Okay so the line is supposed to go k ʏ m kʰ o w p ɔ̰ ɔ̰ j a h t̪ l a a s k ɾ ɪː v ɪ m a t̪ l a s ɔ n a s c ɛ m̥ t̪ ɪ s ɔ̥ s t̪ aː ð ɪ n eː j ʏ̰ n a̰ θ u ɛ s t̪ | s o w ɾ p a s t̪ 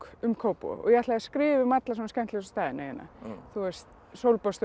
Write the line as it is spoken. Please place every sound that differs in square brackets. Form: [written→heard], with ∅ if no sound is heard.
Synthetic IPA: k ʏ m kʰ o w p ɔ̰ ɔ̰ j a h t̪ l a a s k ɾ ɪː v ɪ m a t̪ l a s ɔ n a s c ɛ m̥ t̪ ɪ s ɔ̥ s t̪ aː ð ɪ n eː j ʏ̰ n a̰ θ u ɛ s t̪ | s o w [ɾ→l] p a s t̪